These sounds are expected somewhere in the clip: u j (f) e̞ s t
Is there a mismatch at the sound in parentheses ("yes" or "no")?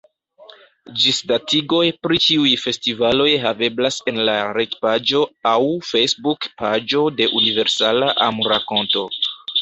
no